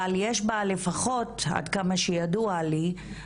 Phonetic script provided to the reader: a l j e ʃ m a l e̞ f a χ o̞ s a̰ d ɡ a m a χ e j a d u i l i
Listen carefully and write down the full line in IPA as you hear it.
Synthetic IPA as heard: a l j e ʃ b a l e̞ f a χ o̞ t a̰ d k a m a ʃ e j a d u a l i